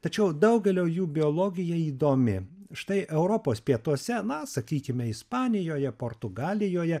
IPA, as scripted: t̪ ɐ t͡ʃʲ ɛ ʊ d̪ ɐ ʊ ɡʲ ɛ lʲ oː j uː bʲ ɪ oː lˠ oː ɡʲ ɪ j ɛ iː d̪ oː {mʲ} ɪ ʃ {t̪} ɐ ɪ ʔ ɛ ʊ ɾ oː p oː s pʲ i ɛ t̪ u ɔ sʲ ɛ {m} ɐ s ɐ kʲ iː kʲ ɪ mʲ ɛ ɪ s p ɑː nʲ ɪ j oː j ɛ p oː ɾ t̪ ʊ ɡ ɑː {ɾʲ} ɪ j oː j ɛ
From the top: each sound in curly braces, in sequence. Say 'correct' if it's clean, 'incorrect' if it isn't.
correct, correct, incorrect: n, incorrect: lʲ

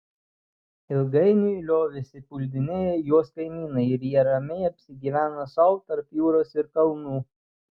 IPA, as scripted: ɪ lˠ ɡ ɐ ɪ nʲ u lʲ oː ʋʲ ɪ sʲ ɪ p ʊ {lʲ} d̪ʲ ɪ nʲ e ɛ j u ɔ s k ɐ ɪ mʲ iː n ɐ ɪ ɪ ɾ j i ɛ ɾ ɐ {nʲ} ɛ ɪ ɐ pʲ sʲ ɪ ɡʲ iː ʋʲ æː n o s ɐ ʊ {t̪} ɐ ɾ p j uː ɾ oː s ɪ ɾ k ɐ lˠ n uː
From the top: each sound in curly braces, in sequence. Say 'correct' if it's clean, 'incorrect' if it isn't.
correct, incorrect: mʲ, correct

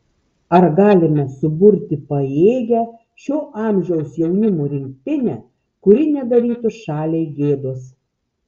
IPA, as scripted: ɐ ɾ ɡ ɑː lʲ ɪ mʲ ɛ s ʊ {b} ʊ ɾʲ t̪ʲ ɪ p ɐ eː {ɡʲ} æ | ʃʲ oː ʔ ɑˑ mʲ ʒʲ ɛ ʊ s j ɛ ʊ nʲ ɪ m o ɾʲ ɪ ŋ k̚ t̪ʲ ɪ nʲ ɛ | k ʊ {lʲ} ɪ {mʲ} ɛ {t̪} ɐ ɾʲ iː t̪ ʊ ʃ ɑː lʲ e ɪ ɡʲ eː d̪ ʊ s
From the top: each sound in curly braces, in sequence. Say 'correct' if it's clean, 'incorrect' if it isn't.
correct, correct, incorrect: ɾʲ, incorrect: nʲ, incorrect: d̪

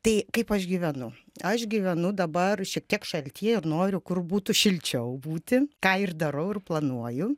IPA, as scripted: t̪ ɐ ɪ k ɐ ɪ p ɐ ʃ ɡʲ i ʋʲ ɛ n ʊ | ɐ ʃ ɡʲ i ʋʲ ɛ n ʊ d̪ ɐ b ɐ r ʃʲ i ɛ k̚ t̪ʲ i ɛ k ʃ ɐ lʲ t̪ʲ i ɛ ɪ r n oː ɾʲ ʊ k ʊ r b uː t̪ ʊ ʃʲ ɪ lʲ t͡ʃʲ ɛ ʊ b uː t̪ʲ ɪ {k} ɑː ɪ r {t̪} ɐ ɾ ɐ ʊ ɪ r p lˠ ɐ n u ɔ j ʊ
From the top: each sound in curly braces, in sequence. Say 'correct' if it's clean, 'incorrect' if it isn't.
correct, incorrect: d̪

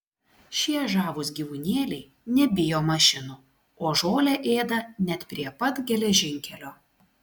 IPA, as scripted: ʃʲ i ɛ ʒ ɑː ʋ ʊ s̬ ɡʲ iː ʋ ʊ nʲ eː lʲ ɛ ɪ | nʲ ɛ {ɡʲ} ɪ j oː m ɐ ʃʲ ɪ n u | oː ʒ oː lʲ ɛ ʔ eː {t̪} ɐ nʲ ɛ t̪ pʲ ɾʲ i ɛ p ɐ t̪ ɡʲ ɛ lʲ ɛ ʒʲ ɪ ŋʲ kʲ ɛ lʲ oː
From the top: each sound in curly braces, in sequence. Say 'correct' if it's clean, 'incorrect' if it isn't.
incorrect: bʲ, incorrect: d̪

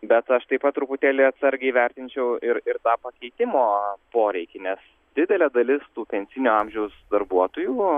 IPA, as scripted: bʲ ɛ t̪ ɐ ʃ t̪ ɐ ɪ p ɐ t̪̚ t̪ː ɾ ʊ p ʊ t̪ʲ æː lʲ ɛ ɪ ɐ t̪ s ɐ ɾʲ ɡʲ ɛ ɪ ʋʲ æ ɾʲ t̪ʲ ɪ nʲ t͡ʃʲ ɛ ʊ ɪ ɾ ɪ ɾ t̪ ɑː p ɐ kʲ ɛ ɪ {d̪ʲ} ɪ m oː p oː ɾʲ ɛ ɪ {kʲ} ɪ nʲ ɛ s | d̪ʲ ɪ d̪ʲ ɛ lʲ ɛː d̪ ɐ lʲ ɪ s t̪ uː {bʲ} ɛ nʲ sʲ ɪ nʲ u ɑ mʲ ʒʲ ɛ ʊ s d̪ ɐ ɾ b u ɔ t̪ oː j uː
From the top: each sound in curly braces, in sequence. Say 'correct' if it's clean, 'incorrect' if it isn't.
incorrect: t̪ʲ, correct, incorrect: pʲ

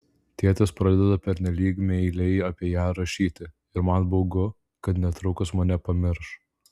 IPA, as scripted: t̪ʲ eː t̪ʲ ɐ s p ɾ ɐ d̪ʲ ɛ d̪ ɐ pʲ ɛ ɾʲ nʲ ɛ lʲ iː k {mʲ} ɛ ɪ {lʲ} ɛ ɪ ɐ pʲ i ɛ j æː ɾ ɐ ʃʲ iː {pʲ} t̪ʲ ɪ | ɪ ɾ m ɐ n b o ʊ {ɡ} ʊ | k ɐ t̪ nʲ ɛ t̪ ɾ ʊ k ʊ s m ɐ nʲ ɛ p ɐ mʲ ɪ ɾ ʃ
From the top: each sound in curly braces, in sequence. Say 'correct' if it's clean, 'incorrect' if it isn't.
correct, correct, incorrect: none, correct

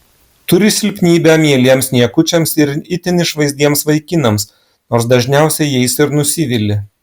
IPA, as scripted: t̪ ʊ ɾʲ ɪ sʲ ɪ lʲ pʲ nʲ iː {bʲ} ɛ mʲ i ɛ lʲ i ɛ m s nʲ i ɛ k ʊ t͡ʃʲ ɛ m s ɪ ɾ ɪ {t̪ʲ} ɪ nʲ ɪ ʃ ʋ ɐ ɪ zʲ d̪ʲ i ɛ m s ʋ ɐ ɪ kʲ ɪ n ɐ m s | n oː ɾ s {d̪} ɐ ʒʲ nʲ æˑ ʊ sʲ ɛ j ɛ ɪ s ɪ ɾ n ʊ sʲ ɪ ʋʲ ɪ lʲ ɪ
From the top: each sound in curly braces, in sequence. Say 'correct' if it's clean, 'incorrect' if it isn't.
correct, correct, correct

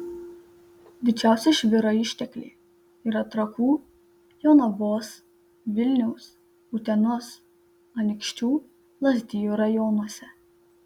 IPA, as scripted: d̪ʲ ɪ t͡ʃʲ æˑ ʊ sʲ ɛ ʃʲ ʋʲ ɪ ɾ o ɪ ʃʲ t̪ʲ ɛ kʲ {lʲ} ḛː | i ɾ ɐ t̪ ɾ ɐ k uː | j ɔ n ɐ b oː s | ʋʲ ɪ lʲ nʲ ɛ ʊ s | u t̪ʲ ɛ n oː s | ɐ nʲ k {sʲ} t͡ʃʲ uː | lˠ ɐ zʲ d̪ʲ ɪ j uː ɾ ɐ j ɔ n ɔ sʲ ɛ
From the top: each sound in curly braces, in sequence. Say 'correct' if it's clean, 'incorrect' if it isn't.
correct, incorrect: ʃʲ

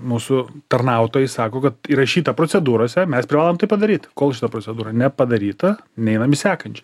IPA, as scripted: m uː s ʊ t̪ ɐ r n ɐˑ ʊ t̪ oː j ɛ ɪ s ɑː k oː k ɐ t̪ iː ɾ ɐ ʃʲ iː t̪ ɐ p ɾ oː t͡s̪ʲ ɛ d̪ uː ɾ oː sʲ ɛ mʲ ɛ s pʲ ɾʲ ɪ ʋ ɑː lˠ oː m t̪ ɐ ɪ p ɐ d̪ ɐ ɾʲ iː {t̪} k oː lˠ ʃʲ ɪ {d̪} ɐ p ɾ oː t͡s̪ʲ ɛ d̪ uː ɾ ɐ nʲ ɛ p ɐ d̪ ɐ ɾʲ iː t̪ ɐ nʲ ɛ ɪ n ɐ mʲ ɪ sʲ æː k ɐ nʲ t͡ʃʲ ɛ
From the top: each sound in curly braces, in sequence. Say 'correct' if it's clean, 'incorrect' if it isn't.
correct, incorrect: t̪

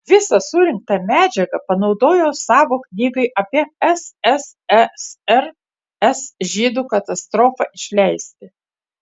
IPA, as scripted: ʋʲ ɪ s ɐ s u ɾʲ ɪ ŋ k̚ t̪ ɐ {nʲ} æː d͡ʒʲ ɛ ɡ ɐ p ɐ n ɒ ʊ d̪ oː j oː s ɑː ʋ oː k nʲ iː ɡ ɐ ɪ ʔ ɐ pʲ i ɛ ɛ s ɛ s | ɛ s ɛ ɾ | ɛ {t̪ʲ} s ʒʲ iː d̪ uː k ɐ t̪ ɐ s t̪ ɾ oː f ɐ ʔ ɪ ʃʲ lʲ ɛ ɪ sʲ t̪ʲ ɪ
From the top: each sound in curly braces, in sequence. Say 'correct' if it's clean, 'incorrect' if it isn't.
incorrect: mʲ, incorrect: none

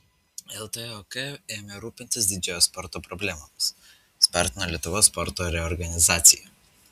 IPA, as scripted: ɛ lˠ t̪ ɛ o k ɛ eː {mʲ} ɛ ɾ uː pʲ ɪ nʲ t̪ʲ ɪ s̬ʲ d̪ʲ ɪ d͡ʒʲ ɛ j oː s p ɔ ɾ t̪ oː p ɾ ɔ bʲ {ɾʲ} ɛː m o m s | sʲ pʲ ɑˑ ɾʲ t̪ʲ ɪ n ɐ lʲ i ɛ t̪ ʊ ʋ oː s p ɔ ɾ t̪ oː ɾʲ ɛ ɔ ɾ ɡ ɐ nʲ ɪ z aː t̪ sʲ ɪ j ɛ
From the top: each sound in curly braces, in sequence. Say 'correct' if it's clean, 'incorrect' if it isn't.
correct, incorrect: lʲ

